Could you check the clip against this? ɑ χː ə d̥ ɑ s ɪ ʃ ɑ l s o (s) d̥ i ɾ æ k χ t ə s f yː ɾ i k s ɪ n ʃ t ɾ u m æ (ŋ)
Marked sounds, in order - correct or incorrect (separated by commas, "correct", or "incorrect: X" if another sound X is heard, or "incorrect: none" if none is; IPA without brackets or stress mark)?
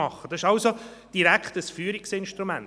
incorrect: none, incorrect: n